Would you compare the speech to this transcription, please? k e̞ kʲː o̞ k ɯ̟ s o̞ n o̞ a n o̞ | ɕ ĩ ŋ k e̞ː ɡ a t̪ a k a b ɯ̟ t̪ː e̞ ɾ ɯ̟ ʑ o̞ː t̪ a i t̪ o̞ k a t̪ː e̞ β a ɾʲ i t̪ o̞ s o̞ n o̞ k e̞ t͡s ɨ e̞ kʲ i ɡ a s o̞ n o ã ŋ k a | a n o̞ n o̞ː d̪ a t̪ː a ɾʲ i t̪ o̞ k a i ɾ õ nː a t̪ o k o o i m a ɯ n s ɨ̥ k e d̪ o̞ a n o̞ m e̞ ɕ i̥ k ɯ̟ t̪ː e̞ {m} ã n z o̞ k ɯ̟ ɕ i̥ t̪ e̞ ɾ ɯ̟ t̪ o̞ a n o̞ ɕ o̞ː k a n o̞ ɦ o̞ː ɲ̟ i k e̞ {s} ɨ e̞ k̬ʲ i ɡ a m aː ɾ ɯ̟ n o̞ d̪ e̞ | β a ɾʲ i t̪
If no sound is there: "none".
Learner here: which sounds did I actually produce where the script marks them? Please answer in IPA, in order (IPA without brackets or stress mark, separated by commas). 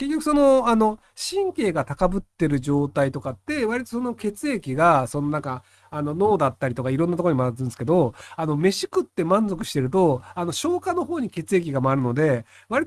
m, t͡s